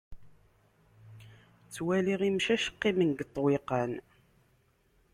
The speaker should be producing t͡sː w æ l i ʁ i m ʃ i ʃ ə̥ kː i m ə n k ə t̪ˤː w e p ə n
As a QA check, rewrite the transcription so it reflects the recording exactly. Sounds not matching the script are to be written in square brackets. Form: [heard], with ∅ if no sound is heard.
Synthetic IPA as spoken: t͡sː w æ l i ʁ i m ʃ [æ] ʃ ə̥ [qː] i m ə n [ɡ] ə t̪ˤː w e [q] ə n